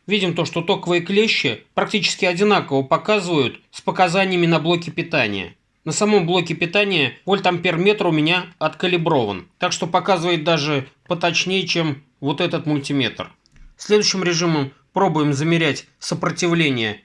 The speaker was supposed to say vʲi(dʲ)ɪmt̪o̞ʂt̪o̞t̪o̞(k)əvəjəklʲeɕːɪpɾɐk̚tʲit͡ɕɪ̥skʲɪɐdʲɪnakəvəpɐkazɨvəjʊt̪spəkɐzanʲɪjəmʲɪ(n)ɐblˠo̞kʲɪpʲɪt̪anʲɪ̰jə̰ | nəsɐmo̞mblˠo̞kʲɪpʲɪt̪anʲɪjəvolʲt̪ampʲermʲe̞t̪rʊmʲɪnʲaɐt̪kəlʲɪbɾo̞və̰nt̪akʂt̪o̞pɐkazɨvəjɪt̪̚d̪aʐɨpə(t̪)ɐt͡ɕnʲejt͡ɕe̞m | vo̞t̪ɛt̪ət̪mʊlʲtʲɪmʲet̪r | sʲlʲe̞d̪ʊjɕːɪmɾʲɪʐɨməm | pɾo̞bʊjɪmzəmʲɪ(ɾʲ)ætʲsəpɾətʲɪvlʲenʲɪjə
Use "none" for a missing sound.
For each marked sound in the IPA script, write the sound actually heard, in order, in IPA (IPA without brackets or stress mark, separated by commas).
dʲ, k, n, t̪, ɾʲ